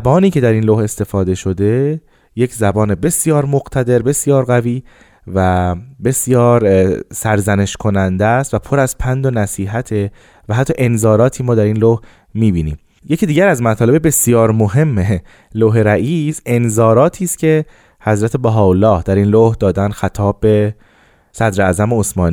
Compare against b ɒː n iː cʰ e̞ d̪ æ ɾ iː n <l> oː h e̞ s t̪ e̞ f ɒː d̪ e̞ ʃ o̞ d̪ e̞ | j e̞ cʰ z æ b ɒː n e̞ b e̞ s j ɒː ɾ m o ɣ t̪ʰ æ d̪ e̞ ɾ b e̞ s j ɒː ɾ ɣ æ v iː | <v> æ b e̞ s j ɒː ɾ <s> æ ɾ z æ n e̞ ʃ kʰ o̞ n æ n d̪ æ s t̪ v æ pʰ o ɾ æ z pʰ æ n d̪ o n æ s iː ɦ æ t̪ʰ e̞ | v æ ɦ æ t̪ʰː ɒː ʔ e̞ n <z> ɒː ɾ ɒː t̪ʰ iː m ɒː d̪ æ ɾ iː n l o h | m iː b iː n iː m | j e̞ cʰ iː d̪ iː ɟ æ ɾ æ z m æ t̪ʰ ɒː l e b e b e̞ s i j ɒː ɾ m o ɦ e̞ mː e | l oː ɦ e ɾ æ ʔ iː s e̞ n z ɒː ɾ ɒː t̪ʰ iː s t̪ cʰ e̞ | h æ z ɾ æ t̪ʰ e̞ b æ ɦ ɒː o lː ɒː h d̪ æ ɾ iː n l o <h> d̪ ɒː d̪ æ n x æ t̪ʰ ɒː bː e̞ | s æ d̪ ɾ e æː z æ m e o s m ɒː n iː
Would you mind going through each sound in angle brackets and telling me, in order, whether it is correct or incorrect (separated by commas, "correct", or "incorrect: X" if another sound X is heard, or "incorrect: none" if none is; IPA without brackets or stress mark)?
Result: correct, correct, correct, correct, correct